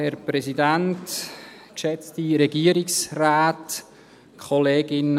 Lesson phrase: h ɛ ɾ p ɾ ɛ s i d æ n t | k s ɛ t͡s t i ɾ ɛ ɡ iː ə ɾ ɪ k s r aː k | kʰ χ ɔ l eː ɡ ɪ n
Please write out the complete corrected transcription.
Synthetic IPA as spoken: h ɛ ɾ p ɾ ɛ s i d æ n t | k ʃ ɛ t͡s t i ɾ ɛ ɡ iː ə ɾ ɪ k s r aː t | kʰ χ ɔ l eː ɡ ɪ n